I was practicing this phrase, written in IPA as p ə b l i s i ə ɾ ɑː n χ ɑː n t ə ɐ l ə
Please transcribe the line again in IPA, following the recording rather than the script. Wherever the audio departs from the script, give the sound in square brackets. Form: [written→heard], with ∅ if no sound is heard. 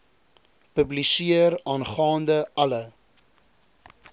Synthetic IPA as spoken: p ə b l i s i ə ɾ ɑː n χ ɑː n [t→d] ə ɐ l ə